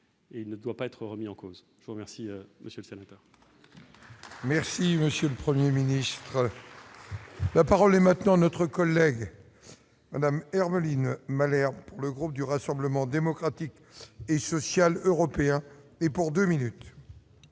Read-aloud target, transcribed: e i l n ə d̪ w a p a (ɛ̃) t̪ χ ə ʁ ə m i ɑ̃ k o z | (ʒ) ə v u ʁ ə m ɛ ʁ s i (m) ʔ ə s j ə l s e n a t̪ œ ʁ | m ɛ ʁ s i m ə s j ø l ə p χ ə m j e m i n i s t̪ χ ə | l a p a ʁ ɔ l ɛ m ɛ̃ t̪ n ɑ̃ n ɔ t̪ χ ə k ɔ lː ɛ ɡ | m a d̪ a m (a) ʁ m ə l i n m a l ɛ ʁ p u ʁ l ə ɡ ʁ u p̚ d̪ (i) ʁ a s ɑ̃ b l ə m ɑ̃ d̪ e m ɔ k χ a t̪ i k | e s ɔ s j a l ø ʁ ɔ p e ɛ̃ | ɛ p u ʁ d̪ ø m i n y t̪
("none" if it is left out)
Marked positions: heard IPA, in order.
ɛ, ʒ, m, ɛ, y

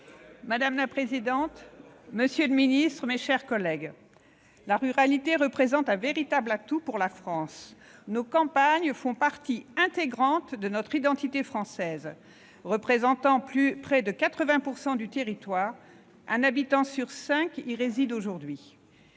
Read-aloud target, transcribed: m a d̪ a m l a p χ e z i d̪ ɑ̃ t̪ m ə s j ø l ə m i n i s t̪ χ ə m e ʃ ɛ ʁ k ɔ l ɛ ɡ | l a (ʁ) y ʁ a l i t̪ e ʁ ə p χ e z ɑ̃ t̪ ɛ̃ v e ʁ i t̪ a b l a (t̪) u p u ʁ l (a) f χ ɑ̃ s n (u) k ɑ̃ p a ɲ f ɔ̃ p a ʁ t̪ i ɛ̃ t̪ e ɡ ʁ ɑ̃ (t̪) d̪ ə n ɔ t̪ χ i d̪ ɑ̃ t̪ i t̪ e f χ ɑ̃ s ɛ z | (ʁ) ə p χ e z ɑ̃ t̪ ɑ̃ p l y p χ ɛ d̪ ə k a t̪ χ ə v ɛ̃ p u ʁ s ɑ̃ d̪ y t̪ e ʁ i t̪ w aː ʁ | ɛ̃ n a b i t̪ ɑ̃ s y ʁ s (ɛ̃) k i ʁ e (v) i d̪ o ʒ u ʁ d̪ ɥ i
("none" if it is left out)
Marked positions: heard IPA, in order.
ʁ, t̪, a, o, t̪, ʁ, ɛ̃, z

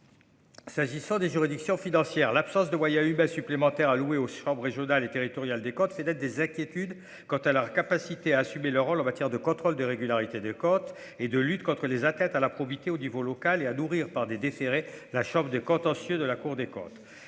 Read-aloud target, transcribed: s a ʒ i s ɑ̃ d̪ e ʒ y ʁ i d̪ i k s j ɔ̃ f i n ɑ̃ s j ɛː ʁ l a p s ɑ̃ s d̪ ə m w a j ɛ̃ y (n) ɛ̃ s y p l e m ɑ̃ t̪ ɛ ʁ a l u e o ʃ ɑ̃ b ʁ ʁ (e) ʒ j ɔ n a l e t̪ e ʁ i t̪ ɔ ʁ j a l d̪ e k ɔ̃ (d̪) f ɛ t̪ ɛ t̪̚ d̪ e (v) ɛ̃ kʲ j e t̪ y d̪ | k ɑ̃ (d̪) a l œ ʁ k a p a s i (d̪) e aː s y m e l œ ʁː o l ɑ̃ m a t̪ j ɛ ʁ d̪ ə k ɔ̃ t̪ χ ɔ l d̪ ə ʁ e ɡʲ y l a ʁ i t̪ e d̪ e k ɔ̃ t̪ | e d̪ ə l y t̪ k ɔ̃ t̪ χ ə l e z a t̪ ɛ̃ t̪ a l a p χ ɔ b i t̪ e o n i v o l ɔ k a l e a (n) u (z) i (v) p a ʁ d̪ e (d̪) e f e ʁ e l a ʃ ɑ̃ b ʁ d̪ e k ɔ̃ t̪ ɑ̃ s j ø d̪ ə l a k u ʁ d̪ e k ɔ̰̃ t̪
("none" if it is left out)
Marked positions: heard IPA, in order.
m, e, t̪, z, t̪, t̪, n, ʁ, ʁ, d̪

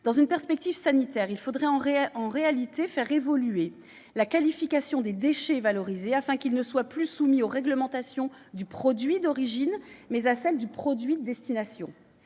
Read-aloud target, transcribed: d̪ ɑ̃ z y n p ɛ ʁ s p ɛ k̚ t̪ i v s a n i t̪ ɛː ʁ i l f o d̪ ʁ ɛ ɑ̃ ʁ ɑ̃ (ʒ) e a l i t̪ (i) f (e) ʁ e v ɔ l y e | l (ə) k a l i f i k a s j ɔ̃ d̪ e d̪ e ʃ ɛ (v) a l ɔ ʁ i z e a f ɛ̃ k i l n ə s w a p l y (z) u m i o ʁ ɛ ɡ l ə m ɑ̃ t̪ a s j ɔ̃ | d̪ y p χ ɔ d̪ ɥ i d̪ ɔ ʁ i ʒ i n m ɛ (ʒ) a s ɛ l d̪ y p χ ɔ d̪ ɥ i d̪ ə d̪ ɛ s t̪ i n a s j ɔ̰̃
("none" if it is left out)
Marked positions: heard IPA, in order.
ʁ, e, ɛ, a, v, s, z

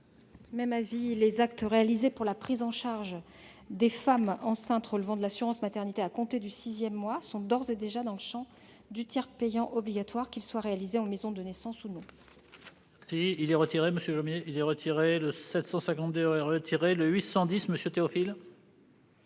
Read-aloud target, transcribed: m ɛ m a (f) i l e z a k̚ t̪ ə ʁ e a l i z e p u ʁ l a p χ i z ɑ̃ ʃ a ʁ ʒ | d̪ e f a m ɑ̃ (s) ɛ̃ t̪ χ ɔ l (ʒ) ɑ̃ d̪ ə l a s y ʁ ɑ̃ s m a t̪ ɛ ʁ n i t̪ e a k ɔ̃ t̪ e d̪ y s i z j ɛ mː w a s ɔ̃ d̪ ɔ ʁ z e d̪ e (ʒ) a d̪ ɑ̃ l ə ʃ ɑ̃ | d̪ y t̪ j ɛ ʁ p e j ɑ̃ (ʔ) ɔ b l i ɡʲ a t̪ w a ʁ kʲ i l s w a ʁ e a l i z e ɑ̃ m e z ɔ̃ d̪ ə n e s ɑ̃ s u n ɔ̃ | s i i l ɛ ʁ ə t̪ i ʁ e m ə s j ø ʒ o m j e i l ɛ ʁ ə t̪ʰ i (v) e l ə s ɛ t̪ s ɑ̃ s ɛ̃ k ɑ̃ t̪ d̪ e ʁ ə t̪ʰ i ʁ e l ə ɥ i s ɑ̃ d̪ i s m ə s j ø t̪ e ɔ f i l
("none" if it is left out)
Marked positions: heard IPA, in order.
v, s, v, ʒ, ʔ, ʁ

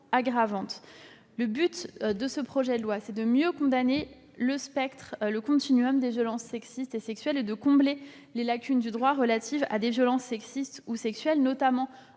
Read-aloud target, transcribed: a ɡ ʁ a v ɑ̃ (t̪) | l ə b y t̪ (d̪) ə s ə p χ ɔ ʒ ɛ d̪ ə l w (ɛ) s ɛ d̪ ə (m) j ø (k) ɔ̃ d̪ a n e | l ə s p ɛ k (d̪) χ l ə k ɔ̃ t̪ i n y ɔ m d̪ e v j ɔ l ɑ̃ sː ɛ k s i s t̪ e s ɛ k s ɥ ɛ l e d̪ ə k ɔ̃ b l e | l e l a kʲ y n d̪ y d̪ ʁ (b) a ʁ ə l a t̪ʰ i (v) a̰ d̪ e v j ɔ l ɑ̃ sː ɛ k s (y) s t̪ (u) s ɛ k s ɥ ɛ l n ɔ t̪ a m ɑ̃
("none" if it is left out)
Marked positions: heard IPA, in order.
t̪, d̪, a, m, k, t̪, w, v, i, u

